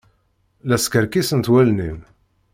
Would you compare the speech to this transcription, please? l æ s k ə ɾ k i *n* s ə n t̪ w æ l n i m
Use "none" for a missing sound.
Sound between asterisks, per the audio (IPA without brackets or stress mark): none